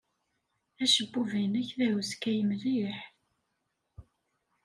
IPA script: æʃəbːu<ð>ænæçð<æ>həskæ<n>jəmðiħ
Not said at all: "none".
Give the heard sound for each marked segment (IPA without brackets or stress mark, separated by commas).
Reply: v, æ, none